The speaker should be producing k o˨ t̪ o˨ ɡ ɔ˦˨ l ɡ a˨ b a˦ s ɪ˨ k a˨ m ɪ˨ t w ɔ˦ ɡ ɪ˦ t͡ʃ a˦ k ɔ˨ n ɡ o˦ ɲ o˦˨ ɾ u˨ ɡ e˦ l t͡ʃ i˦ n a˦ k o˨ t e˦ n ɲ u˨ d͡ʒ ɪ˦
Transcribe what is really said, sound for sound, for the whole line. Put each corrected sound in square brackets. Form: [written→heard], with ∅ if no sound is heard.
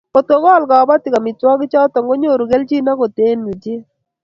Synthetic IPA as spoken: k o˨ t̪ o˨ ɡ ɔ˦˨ l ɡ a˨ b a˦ [s→t] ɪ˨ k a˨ m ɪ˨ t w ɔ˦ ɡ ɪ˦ t͡ʃ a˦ [k→t] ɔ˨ [n→ŋ] ɡ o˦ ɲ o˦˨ ɾ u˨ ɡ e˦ l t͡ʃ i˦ n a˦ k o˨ t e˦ n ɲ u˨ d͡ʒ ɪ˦